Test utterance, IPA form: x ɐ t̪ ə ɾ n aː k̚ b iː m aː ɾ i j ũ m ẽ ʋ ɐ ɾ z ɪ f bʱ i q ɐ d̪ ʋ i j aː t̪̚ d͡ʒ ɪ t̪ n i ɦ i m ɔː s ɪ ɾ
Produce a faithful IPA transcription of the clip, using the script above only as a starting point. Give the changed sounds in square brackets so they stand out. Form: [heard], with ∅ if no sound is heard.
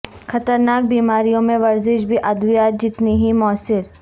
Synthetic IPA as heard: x ɐ t̪ ə ɾ n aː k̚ b iː m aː ɾ i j [õ] m ẽ ʋ ɐ ɾ z ɪ [ʃ] bʱ i [ʔ] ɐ d̪ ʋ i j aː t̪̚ d͡ʒ ɪ t̪ n i ɦ i m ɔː s ɪ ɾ